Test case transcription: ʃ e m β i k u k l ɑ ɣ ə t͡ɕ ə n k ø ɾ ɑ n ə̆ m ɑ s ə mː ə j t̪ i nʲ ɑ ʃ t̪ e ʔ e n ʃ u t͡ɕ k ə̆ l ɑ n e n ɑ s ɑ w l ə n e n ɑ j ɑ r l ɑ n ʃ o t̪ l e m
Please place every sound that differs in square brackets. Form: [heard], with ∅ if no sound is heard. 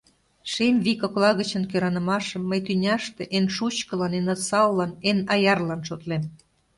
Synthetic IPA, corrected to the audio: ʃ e m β i k [o] k l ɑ ɣ ə t͡ɕ ə n k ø ɾ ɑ n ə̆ m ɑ [ʃ] ə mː ə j t̪ [y] nʲ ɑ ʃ t̪ e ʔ e n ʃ u t͡ɕ k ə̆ l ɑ n e n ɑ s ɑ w l [ɑ] n e n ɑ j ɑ r l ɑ n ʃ o t̪ l e m